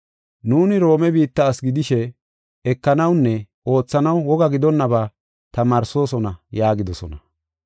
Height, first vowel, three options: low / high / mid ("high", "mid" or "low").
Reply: high